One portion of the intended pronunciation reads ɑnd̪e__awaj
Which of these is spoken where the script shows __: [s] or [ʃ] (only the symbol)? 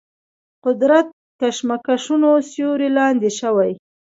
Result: ʃ